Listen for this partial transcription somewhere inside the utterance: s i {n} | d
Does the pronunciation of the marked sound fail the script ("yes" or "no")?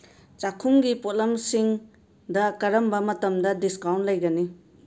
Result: yes